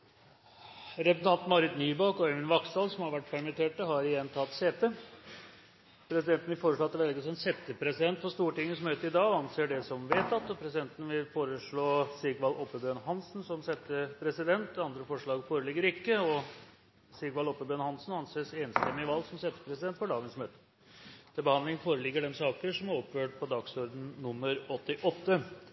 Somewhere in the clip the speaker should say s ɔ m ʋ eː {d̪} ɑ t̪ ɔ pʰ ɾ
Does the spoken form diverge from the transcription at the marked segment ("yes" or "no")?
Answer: yes